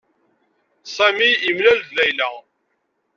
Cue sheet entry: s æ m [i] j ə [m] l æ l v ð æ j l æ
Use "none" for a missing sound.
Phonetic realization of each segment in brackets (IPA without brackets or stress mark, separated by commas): i, m